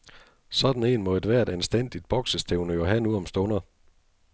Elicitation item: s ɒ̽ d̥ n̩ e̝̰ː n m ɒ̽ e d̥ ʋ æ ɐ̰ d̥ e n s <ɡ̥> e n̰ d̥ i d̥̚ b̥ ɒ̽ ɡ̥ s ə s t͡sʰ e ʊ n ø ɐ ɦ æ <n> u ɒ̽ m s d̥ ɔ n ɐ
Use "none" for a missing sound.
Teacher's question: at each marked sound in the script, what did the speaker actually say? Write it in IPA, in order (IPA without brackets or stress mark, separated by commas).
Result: d̥, n